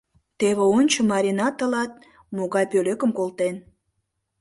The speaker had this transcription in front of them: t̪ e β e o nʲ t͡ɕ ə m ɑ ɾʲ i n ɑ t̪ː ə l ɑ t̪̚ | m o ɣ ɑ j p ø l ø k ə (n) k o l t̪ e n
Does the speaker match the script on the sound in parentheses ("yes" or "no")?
no